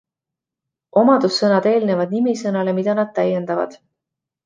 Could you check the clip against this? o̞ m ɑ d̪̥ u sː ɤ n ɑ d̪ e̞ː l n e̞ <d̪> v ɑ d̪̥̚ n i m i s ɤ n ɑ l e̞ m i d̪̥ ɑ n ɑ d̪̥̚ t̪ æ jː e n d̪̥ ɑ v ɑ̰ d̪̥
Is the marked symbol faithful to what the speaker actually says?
no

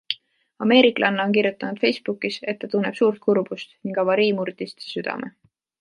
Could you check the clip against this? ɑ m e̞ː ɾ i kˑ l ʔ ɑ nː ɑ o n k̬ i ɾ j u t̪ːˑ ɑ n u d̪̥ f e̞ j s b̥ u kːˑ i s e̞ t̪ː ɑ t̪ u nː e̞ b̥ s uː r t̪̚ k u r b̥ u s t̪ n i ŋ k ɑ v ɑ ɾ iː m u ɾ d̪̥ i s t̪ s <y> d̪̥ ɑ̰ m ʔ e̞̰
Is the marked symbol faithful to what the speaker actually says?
yes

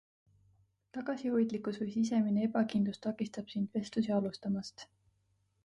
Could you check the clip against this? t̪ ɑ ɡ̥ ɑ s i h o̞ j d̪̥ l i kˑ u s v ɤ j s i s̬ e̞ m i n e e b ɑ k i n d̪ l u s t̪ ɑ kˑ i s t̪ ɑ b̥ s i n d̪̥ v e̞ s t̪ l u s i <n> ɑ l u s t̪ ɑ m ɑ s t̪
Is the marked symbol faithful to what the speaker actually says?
no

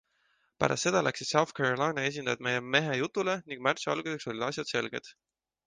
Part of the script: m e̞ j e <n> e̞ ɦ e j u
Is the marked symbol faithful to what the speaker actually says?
no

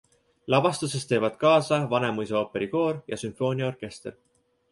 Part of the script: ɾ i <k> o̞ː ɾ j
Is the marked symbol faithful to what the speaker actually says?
yes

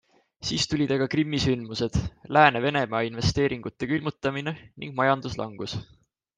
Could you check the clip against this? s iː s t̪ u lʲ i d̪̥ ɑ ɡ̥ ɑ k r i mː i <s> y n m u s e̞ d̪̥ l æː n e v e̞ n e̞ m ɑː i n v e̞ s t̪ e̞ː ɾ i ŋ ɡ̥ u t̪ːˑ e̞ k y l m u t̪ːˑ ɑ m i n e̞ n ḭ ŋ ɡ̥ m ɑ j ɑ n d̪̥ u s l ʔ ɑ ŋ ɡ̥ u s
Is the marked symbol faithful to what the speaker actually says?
yes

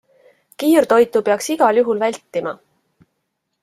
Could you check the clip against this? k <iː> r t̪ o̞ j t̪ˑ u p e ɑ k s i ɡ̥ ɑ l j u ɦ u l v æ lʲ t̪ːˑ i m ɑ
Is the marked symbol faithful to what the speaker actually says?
yes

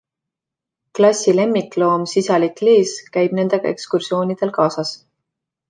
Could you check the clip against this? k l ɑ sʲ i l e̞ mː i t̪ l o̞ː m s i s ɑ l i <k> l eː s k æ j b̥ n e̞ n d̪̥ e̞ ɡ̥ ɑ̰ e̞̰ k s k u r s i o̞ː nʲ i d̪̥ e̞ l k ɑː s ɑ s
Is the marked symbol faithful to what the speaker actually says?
yes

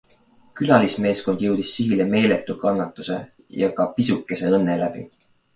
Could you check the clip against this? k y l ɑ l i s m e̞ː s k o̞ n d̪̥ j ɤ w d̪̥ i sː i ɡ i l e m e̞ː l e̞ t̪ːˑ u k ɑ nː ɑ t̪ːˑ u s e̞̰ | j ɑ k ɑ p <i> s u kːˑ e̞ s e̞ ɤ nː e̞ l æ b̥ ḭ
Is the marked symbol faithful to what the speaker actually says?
yes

